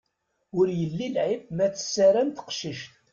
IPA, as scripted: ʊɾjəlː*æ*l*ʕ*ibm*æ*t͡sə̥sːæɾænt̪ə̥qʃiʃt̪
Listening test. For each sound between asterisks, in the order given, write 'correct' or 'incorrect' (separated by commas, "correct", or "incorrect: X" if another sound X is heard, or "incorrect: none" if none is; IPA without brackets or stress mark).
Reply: incorrect: i, correct, correct